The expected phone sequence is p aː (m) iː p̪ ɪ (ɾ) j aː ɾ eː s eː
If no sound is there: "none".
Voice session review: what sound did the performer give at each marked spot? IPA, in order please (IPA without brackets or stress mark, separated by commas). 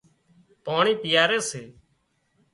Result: ɳ, none